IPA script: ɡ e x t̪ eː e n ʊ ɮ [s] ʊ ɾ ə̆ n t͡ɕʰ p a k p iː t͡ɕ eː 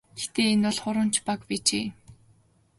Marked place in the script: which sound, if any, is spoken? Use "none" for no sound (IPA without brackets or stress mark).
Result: χ